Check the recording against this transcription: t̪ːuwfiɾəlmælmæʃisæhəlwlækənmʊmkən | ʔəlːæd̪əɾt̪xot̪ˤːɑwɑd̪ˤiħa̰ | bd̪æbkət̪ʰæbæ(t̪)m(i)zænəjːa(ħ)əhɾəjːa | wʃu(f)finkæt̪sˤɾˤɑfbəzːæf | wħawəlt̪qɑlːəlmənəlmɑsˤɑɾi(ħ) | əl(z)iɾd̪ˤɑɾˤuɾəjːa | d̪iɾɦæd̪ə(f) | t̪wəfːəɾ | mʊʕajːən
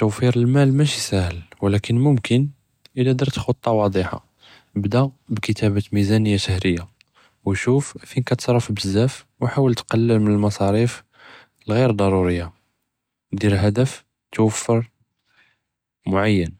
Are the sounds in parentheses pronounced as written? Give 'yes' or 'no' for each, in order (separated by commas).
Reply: yes, yes, no, yes, no, no, yes